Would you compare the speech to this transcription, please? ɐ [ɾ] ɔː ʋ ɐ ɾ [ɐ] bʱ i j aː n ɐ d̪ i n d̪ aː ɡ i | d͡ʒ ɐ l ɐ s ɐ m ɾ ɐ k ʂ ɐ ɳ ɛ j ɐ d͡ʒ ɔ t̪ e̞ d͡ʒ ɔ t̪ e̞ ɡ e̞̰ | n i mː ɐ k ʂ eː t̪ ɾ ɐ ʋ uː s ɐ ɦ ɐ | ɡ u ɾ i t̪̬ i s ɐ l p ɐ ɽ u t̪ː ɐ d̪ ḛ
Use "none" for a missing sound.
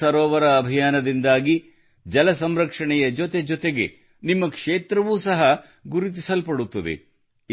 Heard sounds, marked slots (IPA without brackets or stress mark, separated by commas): ɾ, ɐː